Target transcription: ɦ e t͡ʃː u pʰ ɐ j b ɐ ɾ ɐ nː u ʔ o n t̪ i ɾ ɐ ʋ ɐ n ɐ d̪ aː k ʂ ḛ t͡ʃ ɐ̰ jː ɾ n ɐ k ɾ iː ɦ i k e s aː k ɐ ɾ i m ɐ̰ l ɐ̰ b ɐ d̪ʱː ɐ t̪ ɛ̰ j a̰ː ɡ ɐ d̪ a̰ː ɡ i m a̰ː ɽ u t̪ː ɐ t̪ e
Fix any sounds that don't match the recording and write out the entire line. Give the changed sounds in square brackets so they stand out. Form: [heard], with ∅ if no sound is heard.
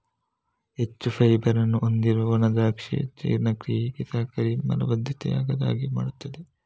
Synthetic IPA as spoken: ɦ e t͡ʃː u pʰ ɐ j b ɐ ɾ ɐ nː u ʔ o n [d̪] i ɾ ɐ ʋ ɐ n ɐ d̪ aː k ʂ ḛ t͡ʃ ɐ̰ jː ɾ n ɐ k ɾ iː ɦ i k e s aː k ɐ ɾ i m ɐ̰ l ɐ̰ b ɐ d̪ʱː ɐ t̪ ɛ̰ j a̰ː ɡ ɐ d̪ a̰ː ɡ i m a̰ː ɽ u t̪ː ɐ [d̪] e